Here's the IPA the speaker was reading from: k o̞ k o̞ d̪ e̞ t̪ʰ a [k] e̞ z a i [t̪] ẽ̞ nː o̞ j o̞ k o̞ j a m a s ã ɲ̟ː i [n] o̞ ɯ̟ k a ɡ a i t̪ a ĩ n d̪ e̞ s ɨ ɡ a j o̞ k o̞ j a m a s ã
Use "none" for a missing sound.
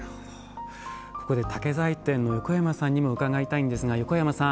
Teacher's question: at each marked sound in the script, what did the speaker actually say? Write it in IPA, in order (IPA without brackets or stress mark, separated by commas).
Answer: k, t̪, m